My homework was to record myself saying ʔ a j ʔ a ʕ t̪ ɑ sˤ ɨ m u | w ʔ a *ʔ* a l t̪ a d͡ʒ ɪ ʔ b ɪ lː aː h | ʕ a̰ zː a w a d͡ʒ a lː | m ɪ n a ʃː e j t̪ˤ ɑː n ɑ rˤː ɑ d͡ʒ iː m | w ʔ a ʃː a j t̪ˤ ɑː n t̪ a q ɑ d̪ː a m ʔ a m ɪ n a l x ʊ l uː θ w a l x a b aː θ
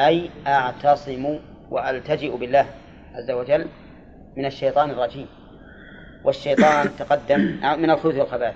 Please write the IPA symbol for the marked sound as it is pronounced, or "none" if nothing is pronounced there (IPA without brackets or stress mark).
ʔ